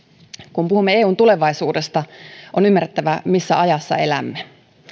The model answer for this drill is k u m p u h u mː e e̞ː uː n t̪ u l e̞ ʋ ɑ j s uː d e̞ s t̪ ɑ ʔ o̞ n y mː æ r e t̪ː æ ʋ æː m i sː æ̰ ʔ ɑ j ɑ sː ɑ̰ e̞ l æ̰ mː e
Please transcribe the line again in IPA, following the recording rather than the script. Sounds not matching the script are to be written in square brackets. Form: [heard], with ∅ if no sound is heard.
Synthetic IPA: k u m p u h u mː e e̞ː uː n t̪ u l e̞ ʋ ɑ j s uː d e̞ s t̪ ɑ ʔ o̞ n y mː æ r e t̪ː æ ʋ [æ] m i sː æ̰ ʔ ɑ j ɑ sː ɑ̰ e̞ l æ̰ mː e